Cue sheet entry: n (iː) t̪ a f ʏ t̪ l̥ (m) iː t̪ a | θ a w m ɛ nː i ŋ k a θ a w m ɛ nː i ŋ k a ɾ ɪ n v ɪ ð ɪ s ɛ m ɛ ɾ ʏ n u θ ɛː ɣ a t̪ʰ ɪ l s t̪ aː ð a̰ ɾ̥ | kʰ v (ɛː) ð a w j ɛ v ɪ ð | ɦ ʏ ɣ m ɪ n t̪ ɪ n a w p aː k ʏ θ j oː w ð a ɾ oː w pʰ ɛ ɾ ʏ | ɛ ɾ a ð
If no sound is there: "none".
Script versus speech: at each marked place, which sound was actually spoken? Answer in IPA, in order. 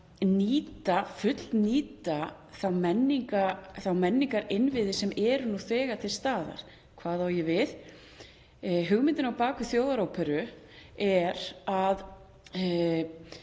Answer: iː, n, aː

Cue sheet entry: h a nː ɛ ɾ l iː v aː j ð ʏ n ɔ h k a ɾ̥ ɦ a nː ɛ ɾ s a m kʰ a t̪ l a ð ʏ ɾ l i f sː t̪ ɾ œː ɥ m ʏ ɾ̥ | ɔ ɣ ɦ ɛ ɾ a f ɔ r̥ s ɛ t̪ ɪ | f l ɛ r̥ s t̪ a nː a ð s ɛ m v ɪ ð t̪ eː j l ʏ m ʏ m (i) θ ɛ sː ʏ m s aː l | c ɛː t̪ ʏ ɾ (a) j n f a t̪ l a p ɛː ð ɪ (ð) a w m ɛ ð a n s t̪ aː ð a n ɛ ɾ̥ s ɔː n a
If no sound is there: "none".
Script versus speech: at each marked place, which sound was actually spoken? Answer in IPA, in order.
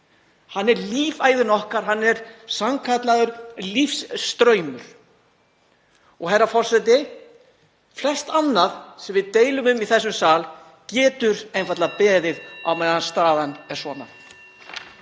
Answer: i, e, ð

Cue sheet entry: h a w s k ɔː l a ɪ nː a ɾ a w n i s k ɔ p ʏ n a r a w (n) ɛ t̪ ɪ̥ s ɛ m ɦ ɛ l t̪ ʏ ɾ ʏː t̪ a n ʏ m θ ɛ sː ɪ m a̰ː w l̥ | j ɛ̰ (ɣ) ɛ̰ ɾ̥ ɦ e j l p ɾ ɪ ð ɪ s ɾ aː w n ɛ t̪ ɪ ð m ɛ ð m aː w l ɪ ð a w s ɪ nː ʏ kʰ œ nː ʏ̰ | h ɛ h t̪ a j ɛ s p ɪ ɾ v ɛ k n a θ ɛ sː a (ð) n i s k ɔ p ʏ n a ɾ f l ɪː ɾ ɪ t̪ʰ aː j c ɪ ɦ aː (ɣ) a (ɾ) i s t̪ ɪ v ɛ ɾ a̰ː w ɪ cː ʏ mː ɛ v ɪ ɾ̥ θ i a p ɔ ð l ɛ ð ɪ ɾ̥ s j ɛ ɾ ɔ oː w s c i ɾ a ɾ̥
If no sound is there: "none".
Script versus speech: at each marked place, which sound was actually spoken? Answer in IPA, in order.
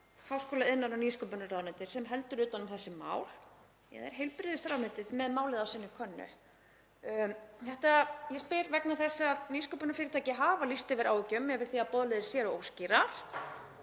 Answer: n, ð, ð, v, l

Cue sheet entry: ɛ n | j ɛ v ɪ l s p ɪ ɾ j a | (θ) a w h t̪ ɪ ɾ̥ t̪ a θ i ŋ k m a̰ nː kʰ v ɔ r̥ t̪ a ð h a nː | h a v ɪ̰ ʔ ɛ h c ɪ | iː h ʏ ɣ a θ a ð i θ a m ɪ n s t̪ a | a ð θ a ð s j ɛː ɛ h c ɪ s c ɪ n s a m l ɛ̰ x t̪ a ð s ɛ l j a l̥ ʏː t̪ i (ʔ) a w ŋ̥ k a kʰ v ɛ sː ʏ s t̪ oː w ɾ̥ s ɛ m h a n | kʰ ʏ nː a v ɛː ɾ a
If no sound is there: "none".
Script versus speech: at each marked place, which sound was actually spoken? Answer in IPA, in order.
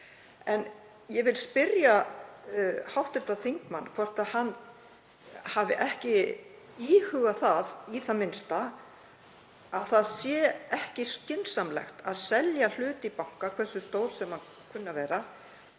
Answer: h, p

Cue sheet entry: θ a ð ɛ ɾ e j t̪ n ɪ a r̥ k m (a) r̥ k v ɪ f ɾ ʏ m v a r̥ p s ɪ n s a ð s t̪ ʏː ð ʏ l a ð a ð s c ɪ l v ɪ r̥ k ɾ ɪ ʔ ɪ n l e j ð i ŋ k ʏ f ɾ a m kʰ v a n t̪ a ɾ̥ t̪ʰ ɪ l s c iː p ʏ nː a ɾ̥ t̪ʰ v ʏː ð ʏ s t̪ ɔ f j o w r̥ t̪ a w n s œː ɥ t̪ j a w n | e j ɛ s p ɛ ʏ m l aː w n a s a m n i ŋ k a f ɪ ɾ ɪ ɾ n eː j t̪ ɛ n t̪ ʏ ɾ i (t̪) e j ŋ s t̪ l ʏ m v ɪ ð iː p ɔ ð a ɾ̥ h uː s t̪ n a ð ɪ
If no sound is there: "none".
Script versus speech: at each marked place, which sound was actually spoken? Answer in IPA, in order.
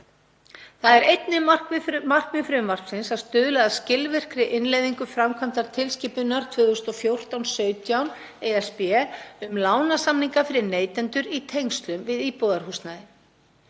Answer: a, t̪ʰ

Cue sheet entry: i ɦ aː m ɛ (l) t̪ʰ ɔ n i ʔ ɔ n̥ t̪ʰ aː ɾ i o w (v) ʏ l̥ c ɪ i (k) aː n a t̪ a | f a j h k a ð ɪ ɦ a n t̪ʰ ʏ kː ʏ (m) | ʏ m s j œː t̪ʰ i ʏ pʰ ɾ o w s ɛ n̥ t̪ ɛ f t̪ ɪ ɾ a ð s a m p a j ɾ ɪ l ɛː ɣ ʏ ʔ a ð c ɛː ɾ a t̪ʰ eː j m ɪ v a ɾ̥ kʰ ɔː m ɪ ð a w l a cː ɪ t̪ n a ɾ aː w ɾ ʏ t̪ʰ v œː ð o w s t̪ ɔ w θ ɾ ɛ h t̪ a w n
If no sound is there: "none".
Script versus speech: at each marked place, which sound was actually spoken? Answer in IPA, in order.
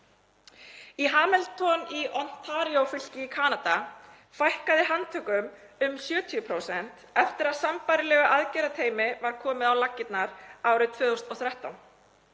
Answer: l, f, kʰ, m

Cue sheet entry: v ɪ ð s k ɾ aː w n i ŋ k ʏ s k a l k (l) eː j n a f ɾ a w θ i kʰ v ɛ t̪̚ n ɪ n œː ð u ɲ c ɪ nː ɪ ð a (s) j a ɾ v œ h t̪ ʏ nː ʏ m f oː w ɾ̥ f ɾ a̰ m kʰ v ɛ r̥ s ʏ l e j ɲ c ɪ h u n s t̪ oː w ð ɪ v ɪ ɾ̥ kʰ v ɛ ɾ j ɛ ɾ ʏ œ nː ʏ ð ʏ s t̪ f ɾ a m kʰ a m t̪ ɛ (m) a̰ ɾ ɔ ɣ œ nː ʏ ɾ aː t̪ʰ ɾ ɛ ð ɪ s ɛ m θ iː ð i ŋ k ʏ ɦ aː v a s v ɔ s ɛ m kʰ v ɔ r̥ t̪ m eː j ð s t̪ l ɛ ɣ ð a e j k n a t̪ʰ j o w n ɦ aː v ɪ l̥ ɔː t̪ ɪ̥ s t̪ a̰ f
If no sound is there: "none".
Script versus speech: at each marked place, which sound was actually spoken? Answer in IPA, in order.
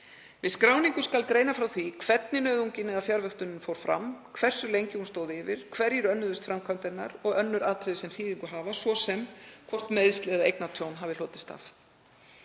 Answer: ɾ, f, n

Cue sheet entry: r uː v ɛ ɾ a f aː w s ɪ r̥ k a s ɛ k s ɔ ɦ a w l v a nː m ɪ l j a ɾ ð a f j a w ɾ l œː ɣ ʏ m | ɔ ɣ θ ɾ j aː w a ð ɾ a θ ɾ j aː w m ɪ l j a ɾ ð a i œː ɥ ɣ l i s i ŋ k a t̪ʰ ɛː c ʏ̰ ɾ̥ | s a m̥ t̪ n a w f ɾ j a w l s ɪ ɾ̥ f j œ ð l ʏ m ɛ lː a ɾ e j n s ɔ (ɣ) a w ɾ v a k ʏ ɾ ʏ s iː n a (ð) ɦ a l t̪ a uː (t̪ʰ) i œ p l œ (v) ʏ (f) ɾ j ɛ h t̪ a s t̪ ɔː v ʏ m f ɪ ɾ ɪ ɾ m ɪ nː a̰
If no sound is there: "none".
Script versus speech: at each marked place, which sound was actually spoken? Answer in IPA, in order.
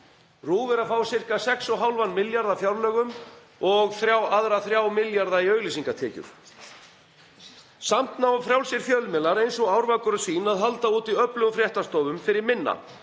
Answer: ɣ, ð, t̪, ɣ, f

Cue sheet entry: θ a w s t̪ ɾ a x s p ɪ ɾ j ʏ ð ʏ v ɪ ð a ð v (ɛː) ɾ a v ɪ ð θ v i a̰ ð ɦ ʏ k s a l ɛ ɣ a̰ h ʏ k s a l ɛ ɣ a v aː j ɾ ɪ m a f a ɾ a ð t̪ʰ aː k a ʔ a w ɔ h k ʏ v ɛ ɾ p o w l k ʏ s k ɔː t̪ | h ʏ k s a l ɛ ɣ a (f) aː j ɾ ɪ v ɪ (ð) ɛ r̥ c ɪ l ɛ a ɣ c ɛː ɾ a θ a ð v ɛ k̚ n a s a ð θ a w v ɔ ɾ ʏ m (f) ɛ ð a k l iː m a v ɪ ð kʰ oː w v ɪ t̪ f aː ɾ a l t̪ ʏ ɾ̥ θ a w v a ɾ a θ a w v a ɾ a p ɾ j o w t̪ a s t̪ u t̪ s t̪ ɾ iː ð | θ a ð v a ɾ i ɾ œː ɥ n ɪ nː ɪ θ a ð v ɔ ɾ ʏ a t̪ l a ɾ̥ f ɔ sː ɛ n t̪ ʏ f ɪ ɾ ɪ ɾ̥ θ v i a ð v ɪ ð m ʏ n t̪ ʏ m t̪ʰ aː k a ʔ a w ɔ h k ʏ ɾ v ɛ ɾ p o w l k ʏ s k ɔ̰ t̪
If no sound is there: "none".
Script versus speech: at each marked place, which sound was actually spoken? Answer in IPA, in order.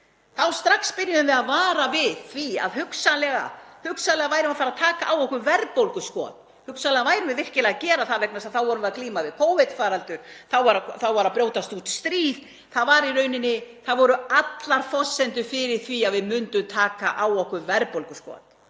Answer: aː, v, ð, v

